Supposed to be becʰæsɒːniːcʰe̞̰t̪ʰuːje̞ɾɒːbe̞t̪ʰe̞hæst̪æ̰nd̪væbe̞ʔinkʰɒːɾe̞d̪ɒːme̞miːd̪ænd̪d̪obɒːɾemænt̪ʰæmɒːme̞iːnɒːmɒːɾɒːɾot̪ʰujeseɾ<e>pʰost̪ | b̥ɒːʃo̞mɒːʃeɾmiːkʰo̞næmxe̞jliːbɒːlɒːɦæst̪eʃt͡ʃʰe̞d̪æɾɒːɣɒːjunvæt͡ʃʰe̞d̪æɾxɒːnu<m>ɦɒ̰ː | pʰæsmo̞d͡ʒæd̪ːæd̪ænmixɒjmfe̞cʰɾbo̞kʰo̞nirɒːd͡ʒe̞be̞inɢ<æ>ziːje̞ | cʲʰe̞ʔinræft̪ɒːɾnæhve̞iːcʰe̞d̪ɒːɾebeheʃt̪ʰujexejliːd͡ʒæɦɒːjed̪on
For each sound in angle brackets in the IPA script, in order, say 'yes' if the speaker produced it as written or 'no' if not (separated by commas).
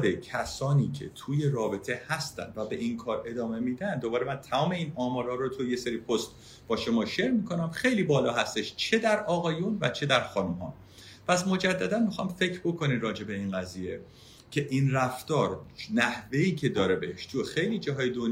no, yes, yes